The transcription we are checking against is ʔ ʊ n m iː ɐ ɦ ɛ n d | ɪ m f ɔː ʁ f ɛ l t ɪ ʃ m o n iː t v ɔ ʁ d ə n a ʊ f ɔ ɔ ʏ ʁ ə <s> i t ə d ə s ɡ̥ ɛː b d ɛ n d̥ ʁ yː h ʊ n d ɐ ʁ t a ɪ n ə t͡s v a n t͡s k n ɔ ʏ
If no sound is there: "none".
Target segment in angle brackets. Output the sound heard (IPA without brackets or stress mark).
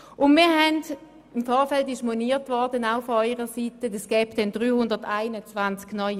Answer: s